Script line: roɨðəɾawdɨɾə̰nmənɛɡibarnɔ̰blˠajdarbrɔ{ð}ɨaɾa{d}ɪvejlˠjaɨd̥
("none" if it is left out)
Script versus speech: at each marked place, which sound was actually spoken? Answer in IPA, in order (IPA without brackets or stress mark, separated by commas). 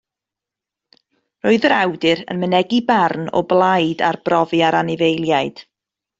v, n